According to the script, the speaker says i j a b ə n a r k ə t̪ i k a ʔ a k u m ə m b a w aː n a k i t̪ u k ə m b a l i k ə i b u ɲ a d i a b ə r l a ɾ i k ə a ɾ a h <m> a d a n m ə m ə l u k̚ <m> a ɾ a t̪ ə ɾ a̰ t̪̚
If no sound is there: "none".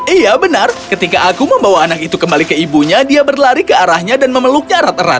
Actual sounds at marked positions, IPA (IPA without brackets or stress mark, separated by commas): ɲ, ɲ